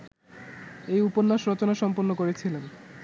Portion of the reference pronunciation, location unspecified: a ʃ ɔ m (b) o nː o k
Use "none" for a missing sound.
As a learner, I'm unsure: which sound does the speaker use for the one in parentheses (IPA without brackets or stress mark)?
p